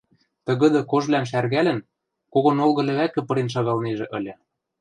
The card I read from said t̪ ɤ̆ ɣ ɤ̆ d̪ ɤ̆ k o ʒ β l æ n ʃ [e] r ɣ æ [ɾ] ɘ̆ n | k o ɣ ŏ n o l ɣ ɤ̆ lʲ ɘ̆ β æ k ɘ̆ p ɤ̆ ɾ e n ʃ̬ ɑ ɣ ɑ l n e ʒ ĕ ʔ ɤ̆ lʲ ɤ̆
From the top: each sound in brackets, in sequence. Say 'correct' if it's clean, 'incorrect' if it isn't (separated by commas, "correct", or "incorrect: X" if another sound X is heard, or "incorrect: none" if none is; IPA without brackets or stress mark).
incorrect: æ, incorrect: l